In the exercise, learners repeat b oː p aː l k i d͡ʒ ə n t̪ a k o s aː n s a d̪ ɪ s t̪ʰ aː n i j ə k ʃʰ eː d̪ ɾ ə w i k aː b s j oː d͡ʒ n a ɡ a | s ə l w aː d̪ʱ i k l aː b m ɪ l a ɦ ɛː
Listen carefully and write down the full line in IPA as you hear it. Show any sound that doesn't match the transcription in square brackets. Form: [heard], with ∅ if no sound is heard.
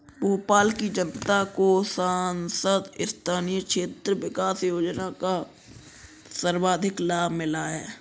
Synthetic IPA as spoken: b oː p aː l k i d͡ʒ ə n t̪ a k o s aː n s [ə] d̪ ɪ s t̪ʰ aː n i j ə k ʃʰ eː [t̪] ɾ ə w [ɪ] k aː [∅] s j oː d͡ʒ n a [k] a | s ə [ɾ] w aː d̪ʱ [ɪ] k l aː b m ɪ l a ɦ ɛː